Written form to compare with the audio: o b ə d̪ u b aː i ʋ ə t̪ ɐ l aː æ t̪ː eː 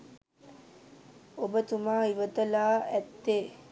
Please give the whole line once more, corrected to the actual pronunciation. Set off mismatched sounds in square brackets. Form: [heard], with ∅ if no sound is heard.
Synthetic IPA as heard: o b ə [t̪] u [m] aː i ʋ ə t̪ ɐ l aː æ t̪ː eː